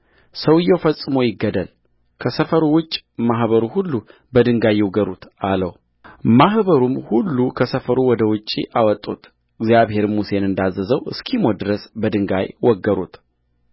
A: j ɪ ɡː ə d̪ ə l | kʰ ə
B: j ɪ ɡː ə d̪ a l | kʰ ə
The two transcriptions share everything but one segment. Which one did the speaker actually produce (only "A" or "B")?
A